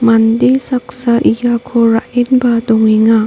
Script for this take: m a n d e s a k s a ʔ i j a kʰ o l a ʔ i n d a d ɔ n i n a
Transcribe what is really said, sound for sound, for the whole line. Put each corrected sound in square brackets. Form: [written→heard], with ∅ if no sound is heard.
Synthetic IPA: m a n d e s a k s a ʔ i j a kʰ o [l→ɾ] a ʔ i n [d→b] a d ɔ [n→ŋ] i [n→ŋ] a